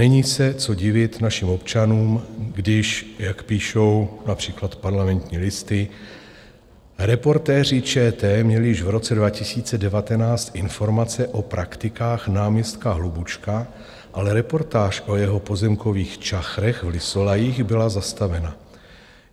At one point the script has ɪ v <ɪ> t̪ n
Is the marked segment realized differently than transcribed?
no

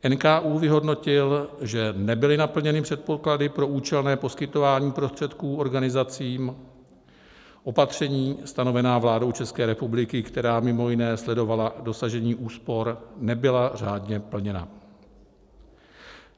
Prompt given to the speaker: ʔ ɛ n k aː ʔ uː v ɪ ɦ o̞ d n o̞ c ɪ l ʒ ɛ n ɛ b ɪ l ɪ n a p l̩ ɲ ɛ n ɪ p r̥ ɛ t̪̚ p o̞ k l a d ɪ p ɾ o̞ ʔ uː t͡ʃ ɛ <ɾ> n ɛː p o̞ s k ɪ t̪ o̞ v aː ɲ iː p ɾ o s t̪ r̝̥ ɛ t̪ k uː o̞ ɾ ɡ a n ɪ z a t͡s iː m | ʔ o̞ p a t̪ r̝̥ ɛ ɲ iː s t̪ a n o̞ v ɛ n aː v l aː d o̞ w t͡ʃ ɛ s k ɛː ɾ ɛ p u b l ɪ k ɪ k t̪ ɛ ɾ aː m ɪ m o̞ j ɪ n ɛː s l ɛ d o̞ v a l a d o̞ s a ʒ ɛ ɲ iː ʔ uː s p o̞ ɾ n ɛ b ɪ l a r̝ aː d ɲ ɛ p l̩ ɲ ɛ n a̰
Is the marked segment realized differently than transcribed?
yes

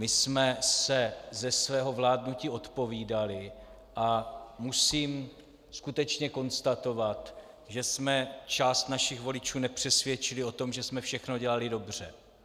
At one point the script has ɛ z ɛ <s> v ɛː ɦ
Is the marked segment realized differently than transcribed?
no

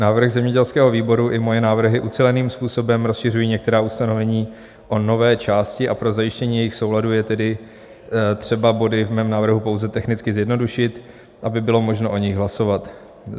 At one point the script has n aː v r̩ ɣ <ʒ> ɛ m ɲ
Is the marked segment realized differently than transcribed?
yes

